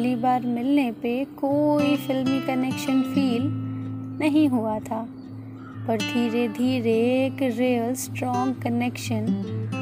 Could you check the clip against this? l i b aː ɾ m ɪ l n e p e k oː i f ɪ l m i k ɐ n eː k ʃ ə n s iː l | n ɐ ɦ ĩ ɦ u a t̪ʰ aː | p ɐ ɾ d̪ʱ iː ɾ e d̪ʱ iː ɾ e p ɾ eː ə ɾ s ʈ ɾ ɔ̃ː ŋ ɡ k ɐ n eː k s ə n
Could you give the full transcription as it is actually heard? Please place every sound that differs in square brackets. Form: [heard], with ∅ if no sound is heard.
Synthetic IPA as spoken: l i b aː ɾ m ɪ l n e p e k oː i f ɪ l m i k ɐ n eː k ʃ ə n [f] iː l | n ɐ ɦ ĩ ɦ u a t̪ʰ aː | p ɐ ɾ d̪ʱ iː ɾ e d̪ʱ iː ɾ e [k] ɾ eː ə [l] s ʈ ɾ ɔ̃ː ŋ ɡ k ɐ n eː k [ʃ] ə n